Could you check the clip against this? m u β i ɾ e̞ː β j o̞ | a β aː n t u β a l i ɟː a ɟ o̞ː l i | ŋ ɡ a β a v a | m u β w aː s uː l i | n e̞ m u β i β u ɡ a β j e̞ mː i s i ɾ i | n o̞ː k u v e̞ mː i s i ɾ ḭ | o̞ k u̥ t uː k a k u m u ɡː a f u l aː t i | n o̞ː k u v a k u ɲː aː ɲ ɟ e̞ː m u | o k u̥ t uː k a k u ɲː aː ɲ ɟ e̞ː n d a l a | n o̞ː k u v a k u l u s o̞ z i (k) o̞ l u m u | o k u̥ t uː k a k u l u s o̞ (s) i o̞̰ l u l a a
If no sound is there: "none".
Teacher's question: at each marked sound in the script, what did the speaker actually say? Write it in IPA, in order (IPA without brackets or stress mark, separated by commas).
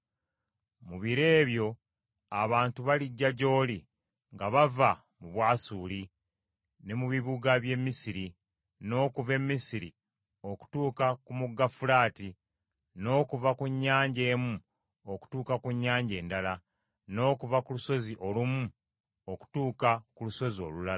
ʔ, z